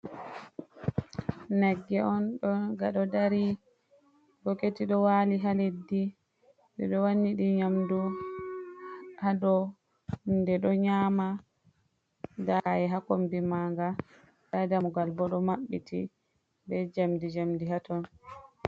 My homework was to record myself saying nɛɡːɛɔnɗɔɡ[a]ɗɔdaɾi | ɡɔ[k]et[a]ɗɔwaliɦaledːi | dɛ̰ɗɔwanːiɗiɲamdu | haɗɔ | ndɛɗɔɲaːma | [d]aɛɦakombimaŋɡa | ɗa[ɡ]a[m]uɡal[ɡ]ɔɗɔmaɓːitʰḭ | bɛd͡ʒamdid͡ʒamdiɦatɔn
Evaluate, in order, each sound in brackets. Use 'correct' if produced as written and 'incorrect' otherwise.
correct, correct, incorrect, correct, incorrect, correct, incorrect

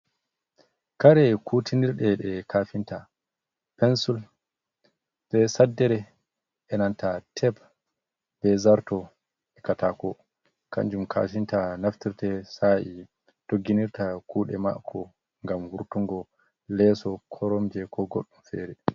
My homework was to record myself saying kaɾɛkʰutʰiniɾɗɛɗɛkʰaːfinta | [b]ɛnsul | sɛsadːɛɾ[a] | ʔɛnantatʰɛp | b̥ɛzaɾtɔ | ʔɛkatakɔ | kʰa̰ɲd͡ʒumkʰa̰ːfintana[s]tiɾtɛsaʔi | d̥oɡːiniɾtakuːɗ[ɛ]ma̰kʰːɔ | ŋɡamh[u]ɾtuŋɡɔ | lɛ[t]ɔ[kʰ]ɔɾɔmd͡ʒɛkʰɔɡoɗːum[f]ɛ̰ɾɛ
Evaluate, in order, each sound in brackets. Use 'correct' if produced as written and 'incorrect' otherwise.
incorrect, incorrect, incorrect, correct, correct, incorrect, correct, correct

